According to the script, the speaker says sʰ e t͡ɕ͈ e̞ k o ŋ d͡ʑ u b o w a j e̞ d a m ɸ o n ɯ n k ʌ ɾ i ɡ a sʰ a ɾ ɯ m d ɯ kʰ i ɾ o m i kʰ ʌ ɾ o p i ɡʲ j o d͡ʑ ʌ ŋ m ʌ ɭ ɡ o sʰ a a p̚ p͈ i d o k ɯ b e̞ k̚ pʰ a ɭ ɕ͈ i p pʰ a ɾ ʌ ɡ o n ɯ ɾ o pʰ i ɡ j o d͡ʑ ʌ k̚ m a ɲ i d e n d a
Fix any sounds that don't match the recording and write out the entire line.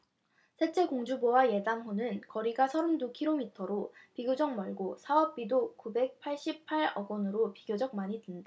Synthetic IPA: sʰ e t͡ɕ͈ e̞ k o ŋ d͡ʑ u b o w a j e̞ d a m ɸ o n ɯ n k ʌ ɾ i ɡ a sʰ ʌ ɾ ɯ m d u kʰ i ɾ o m i tʰ ʌ ɾ o p i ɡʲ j o d͡ʑ ʌ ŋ m ʌ ɭ ɡ o sʰ a ʌ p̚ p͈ i d o k u b e̞ k̚ pʰ a ɭ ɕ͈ i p pʰ a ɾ ʌ ɡ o n ɯ ɾ o p i ɡ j o d͡ʑ ʌ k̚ m a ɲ i d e n d a